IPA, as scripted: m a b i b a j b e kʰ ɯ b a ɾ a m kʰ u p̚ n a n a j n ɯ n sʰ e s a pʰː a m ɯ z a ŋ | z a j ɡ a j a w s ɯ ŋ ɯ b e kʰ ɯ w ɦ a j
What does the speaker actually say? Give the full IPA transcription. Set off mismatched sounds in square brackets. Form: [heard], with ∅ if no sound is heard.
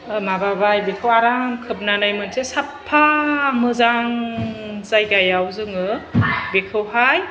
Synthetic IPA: m a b [a] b a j b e kʰ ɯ [w] a ɾ a m kʰ [ɯ] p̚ n a n a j [m] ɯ n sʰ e s a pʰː a m ɯ z a ŋ | z a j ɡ a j a w [z] ɯ ŋ ɯ b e kʰ ɯ w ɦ a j